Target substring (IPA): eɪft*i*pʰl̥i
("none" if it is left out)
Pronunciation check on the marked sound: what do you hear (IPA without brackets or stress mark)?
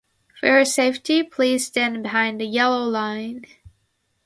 i